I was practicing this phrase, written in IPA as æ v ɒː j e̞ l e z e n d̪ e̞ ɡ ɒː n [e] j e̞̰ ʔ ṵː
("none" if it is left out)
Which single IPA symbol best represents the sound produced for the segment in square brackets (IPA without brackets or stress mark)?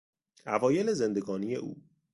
i